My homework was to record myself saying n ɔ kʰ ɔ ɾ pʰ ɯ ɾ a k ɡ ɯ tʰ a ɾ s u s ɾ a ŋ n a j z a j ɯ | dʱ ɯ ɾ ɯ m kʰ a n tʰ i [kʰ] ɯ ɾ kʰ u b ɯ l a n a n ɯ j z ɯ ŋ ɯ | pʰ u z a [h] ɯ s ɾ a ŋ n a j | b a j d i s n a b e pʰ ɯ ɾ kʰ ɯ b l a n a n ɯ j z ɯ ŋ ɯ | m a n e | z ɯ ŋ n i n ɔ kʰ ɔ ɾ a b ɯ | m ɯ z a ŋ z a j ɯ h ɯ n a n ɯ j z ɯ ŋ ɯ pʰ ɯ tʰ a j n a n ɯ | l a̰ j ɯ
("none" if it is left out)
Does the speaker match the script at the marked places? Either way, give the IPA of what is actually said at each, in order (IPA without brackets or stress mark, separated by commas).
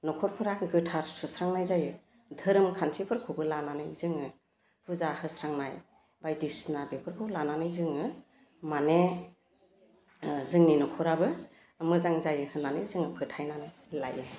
pʰ, h